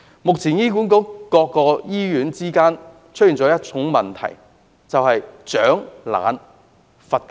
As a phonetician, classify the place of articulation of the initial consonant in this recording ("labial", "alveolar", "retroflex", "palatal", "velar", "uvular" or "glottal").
labial